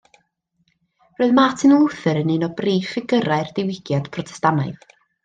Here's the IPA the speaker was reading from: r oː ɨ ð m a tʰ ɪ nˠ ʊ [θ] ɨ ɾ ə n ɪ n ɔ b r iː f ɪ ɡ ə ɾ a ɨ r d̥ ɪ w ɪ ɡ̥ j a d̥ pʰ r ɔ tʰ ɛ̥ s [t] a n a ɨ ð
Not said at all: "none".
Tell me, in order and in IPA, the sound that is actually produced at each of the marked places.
θ, t

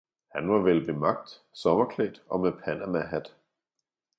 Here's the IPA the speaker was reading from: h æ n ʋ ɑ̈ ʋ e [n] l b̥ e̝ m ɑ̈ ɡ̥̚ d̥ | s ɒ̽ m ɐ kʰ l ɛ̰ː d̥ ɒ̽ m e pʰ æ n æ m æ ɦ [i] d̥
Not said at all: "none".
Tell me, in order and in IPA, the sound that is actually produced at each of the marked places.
none, æ

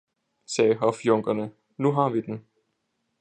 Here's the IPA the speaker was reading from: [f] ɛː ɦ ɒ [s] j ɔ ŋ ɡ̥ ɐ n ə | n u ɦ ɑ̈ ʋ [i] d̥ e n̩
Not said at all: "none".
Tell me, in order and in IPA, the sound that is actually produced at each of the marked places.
s, f, i

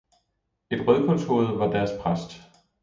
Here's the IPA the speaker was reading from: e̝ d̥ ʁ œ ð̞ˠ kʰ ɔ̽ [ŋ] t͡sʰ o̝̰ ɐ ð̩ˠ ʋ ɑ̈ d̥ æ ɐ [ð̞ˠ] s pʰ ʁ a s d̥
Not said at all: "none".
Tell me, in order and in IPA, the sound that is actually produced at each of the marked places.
n, none

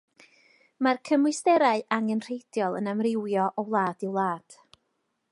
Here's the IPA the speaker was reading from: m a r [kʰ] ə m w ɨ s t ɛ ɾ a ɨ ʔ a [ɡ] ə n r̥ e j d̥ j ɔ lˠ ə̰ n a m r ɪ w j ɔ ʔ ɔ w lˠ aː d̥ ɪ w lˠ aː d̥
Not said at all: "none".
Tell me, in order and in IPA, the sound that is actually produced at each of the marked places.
kʰ, ŋ

